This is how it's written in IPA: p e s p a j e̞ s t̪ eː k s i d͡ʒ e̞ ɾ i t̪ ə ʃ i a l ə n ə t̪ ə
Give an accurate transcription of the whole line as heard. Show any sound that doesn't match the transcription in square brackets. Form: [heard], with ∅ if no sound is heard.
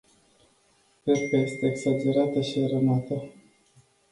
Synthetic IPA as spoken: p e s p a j e̞ s t̪ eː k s [a] d͡ʒ e̞ ɾ [a] t̪ ə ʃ i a [ɾ] ə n [a] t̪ ə